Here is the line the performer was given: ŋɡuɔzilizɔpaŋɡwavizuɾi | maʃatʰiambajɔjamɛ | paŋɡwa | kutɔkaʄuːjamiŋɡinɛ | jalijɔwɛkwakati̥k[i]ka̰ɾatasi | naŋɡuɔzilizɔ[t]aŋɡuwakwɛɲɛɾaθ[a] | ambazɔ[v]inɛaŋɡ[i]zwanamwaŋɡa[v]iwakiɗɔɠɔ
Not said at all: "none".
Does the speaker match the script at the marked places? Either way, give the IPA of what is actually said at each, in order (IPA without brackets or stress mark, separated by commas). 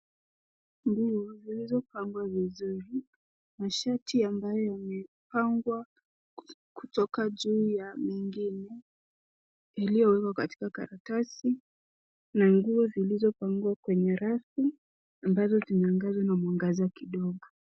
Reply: a, p, i, z, a, z